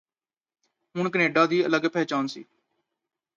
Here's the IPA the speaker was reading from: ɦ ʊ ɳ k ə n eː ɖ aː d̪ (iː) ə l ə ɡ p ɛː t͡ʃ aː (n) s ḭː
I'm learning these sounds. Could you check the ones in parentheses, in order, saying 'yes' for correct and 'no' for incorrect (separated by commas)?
yes, yes